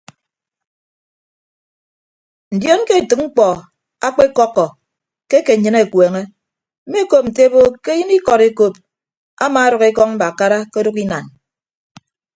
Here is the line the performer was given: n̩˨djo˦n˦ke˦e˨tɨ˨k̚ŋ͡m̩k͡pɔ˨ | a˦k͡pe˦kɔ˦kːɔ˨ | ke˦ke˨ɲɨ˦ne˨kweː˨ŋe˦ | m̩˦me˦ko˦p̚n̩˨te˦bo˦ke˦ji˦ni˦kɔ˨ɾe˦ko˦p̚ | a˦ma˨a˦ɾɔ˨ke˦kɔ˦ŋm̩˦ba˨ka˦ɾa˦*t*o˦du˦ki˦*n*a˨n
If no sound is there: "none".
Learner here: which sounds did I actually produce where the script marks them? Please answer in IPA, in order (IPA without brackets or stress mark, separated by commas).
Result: k, n